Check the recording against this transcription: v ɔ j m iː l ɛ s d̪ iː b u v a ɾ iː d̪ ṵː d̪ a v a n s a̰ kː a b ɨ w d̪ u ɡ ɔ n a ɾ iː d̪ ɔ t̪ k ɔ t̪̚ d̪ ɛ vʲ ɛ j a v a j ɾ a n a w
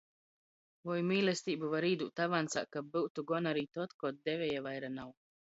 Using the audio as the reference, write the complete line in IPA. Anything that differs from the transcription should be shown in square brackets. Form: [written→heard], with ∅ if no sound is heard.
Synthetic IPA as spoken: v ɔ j m iː l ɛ s [d̪→t̪] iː b u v a ɾ iː d̪ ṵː [d̪→t̪] a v a n s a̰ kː a b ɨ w [d̪→t̪] u ɡ ɔ n a ɾ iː [d̪→t̪] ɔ t̪ k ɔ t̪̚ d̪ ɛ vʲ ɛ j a v a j ɾ a n a w

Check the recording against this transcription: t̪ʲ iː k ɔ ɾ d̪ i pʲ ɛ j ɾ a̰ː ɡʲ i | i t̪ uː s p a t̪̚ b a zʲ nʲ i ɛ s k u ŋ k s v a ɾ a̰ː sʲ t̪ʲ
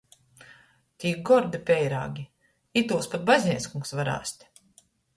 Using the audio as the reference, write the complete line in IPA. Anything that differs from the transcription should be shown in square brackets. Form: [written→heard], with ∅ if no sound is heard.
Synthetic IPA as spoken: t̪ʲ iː [k→ɡ] ɔ ɾ d̪ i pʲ ɛ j ɾ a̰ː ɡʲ i | i t̪ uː s p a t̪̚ b a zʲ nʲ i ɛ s k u ŋ k s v a ɾ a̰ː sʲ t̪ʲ

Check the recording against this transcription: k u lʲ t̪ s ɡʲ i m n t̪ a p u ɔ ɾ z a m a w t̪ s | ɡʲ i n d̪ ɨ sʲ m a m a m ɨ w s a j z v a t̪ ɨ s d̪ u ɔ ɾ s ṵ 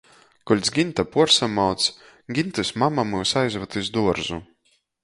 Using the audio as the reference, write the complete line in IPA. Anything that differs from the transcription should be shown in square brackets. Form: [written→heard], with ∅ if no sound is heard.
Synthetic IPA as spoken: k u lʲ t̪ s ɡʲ i [m→∅] n t̪ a p u ɔ ɾ [z→s] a m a w t̪ s | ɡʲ i n [d̪→t̪] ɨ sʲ m a m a m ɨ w s a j z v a t̪ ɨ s d̪ u ɔ ɾ [s→z] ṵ

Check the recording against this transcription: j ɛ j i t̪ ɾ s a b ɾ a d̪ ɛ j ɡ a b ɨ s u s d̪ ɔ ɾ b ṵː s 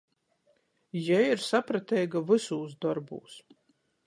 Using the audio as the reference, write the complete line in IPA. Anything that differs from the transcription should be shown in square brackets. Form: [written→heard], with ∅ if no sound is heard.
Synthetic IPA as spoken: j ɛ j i [t̪→∅] ɾ s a [b→p] ɾ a [d̪→t̪] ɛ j ɡ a [b→v] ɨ s [u→uː] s d̪ ɔ ɾ b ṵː s

